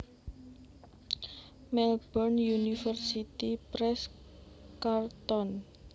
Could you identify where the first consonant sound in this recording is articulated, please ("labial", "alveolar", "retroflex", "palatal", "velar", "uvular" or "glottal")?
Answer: labial